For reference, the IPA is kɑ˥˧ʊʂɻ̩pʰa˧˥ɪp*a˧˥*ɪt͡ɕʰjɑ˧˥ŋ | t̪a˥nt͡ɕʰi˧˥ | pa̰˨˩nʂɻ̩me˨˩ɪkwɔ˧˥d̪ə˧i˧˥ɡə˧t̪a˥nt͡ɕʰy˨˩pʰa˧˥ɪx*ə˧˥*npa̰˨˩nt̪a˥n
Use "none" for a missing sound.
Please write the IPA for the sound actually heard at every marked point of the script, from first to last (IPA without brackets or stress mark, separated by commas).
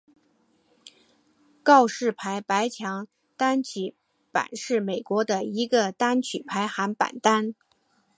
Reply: a˧˥, a˧˥